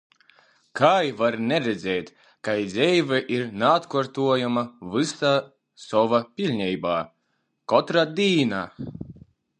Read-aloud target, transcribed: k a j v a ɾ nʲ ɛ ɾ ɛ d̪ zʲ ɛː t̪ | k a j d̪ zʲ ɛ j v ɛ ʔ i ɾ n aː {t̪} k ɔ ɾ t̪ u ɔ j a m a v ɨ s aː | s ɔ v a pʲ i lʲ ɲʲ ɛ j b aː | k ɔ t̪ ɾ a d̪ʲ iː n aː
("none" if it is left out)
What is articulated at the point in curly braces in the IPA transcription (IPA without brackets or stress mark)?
t̪